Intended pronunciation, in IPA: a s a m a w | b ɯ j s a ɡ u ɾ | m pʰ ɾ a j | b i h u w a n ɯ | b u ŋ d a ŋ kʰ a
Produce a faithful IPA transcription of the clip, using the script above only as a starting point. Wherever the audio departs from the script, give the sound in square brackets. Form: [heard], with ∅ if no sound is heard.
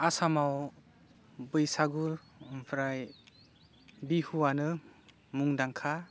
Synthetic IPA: a s a m a w | b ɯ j s a ɡ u ɾ | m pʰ ɾ a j | b i h u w a n ɯ | [m] u ŋ d a ŋ kʰ a